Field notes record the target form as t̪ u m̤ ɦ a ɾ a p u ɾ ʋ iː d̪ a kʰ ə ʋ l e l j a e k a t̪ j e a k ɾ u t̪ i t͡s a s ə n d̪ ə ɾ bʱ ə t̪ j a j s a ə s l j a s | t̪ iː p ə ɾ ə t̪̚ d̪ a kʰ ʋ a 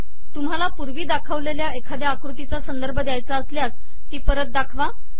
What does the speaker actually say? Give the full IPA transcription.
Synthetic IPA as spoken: t̪ u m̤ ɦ a l a p u ɾ ʋ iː d̪ a kʰ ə ʋ l e l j a e kʰ a d̪ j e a k ɾ u t̪ i t͡s a s ə n d̪ ə ɾ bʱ ə d̪ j a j t͡s a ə s l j a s | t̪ iː p ə ɾ ə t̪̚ d̪ a kʰ ʋ a